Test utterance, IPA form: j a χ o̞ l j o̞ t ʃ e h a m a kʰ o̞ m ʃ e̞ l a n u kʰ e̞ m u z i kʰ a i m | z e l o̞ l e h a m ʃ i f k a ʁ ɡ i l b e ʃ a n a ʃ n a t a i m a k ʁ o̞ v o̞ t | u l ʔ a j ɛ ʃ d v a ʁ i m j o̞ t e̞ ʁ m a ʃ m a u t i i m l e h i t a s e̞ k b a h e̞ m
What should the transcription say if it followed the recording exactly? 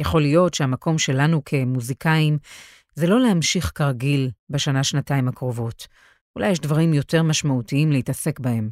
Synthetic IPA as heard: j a χ o̞ l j o̞ t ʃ e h a m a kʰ o̞ m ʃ e̞ l a n u kʰ e̞ m u z i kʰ a i m | z e l o̞ l e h a m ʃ i χ k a ʁ ɡ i l b e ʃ a n a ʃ n a t a i m a k ʁ o̞ v o̞ t | u l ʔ a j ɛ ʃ d v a ʁ i m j o̞ t e̞ ʁ m a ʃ m a u t i i m l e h i t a s e̞ k b a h e̞ m